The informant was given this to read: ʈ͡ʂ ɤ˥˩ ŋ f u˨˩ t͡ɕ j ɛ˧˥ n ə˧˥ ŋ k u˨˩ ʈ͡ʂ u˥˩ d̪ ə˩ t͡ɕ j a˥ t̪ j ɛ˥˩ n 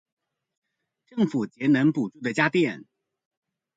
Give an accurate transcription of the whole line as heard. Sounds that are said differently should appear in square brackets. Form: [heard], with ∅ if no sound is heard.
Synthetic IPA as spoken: ʈ͡ʂ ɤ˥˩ ŋ f u˨˩ t͡ɕ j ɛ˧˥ n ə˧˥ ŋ [p] u˨˩ ʈ͡ʂ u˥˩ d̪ ə˩ t͡ɕ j a˥ t̪ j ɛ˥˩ n